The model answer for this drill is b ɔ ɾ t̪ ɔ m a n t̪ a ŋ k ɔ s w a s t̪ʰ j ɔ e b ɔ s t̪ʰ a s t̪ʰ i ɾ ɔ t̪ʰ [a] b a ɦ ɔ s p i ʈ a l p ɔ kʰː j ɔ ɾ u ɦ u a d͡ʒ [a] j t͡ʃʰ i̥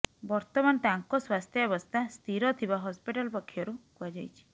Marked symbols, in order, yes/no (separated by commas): no, yes